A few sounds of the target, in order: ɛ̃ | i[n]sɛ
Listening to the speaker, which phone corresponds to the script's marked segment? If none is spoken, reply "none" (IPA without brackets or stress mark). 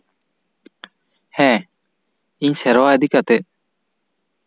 ɲ